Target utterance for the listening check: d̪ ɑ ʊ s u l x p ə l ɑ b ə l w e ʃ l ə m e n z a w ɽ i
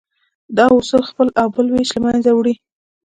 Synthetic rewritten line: d̪ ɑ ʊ s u l x p ə l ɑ b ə l w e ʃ l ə m a n z a w ɽ i